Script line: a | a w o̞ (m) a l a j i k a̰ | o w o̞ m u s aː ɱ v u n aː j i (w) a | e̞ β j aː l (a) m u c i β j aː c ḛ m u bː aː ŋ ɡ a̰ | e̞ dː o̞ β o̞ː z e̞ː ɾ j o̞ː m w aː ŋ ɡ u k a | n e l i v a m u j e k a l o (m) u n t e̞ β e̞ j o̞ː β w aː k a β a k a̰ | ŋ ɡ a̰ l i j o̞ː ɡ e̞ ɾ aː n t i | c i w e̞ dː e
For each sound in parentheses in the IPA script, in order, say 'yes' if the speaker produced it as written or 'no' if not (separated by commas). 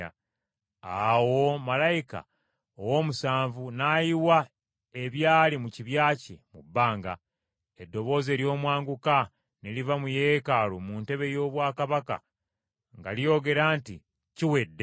yes, yes, no, yes